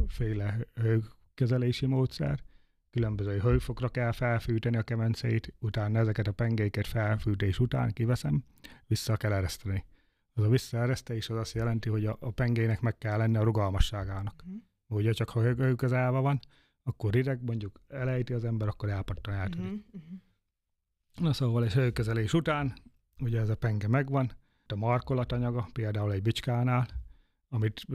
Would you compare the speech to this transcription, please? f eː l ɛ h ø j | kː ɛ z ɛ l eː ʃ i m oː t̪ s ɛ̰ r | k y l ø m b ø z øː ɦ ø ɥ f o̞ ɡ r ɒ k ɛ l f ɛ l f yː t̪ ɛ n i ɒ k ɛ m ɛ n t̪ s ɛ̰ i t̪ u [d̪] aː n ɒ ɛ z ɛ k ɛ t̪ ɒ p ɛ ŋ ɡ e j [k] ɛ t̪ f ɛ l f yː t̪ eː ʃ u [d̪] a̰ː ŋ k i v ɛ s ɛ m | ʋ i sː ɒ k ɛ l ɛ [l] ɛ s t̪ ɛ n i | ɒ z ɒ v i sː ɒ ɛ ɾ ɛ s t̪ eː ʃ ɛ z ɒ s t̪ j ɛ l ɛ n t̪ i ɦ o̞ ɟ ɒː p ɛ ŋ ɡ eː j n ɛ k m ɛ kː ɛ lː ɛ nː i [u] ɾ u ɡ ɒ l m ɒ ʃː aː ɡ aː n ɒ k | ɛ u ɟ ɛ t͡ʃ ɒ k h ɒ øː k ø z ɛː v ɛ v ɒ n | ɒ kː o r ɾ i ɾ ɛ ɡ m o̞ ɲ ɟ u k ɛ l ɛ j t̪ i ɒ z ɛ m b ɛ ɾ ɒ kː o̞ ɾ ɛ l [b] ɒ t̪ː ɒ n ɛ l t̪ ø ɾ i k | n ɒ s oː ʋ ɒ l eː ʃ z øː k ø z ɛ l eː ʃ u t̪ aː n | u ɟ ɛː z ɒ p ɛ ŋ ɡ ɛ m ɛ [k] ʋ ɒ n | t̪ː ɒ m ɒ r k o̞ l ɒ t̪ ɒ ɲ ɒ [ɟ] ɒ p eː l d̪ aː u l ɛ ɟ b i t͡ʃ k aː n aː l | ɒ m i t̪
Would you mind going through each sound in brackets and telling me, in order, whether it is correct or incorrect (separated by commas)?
incorrect, correct, incorrect, incorrect, incorrect, incorrect, incorrect, incorrect